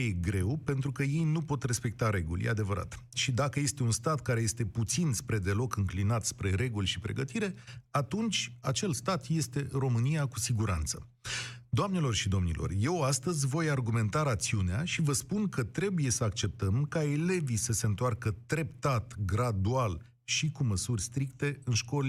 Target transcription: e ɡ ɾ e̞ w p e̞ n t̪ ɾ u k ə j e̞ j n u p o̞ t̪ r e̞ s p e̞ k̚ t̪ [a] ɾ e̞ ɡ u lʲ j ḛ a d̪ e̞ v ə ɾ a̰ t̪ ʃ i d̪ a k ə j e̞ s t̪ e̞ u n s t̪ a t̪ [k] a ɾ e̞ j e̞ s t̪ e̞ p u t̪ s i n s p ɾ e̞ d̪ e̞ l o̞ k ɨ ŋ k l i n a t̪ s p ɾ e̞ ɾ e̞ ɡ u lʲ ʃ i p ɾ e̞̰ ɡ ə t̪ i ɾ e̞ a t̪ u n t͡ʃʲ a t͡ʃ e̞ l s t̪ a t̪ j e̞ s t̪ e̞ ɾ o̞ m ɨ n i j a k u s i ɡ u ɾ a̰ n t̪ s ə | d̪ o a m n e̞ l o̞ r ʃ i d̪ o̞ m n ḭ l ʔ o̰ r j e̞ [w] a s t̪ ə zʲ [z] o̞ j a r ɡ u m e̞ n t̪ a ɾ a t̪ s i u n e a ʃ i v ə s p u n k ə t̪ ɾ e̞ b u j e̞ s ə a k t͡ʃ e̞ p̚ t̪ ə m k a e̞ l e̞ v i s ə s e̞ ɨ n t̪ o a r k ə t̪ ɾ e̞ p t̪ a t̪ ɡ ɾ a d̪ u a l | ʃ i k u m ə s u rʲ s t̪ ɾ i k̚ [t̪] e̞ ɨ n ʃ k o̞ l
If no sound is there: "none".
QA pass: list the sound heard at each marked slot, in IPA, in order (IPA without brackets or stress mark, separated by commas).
a, k, w, v, t̪